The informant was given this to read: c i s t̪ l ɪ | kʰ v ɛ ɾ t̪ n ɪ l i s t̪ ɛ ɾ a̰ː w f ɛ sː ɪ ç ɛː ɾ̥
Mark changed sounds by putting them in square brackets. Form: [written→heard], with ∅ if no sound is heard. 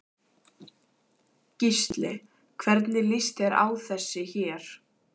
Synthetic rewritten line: c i s t̪ l ɪ | kʰ v ɛ ɾ t̪ n ɪ l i s t̪ ɛ ɾ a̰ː w [f→θ] ɛ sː ɪ ç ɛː ɾ̥